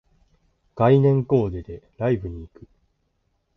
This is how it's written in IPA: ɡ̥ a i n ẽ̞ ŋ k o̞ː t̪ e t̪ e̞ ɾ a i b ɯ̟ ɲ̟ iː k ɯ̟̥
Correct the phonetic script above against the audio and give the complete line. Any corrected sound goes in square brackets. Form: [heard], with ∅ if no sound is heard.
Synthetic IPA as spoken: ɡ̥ a i n ẽ̞ ŋ k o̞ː [d̪] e [d̪] e̞ ɾ a i b ɯ̟ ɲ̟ iː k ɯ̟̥